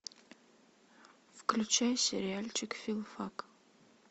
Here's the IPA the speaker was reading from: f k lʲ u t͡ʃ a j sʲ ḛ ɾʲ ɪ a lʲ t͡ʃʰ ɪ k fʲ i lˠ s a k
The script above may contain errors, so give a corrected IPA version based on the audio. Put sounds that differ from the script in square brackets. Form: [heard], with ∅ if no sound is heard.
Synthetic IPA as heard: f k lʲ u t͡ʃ a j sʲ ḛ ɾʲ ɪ a lʲ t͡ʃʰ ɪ k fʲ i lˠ [f] a k